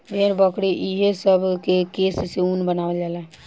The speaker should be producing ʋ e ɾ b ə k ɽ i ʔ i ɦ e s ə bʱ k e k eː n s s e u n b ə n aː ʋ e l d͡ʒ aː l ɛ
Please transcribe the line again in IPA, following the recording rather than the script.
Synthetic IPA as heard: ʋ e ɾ b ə k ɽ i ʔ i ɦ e s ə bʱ k e k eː s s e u n b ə n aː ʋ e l d͡ʒ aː l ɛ